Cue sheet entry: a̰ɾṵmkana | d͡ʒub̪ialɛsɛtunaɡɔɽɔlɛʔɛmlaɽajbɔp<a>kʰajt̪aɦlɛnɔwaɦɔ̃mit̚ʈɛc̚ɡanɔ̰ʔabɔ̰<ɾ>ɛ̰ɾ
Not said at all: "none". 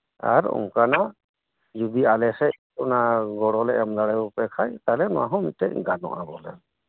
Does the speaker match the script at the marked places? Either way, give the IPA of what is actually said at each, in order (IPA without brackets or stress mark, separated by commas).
ɛ, l